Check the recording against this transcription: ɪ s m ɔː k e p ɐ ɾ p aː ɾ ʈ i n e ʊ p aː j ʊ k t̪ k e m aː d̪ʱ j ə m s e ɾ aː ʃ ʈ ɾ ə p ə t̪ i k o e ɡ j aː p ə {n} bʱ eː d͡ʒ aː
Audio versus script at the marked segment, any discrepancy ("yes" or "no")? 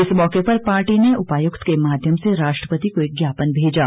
no